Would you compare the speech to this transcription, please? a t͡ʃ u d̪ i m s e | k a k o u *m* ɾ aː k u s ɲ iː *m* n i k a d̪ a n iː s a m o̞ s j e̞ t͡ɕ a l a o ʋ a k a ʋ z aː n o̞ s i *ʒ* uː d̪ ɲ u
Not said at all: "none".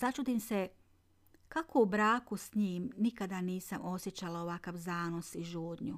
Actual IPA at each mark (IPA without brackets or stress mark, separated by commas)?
b, m, ʒ